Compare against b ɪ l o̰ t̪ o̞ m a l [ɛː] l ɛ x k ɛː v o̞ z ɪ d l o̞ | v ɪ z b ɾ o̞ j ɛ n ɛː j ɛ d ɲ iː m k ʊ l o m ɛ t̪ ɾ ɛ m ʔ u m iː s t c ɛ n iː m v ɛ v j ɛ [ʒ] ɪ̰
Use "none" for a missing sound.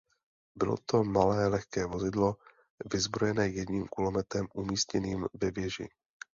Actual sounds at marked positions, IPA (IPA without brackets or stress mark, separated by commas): ɛː, ʒ